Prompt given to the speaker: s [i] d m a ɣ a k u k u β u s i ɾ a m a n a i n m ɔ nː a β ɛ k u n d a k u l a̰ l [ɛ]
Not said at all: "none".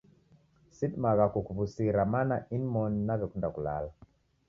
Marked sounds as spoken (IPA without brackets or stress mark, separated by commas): i, a